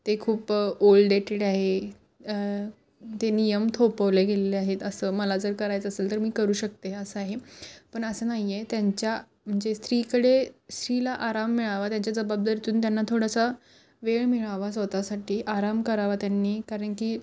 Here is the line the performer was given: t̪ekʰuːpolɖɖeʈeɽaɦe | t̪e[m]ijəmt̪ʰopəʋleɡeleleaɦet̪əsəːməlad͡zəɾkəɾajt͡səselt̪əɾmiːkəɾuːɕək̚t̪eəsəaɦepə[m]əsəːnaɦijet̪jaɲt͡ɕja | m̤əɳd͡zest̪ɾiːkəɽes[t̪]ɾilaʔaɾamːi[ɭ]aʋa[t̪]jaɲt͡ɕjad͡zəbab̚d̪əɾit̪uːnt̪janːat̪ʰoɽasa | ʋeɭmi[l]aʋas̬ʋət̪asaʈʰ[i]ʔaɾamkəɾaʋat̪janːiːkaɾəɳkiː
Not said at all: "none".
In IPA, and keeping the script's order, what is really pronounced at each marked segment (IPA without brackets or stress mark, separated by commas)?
n, ɳ, t̪, ɭ, t̪, ɭ, iː